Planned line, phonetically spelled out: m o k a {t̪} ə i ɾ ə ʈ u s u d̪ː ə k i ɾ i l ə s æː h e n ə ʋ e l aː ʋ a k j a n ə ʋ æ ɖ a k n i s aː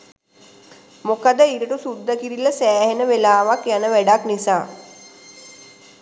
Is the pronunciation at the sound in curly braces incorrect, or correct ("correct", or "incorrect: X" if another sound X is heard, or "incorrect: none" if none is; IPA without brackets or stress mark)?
incorrect: d̪